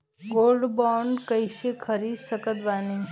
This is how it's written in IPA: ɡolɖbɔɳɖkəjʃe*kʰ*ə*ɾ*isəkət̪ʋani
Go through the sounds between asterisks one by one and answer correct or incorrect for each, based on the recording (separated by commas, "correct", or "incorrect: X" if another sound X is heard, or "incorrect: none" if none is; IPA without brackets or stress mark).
correct, correct